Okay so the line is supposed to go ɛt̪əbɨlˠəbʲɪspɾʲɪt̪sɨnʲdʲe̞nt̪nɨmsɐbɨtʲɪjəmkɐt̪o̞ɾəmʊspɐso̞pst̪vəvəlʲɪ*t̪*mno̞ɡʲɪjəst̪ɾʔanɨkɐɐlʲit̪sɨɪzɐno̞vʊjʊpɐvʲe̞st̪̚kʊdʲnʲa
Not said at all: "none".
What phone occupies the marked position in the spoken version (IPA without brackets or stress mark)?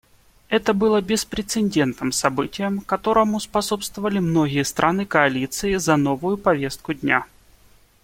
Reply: none